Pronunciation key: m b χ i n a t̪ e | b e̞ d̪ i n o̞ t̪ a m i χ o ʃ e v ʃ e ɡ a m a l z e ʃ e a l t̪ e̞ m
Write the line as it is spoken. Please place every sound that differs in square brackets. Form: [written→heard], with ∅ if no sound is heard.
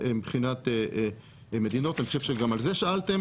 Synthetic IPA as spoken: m b χ i n a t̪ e | [b→m] e̞ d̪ i n o̞ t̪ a [m→n] i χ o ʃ e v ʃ e ɡ a m a l z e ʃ [e→a] a l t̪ e̞ m